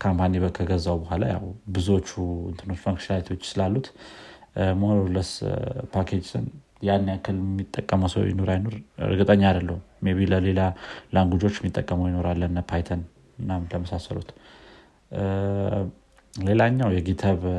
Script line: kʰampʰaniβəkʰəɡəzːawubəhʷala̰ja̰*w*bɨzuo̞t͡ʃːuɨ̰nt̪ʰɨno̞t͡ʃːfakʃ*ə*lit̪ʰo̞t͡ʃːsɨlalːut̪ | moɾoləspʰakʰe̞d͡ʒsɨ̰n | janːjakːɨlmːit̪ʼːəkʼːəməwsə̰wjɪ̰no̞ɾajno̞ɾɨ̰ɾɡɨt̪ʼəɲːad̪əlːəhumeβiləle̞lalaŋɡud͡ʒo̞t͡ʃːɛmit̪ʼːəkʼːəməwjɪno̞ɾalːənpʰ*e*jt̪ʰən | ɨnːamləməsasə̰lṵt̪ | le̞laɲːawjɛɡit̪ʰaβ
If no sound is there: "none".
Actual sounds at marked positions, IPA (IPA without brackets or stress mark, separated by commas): w, a, a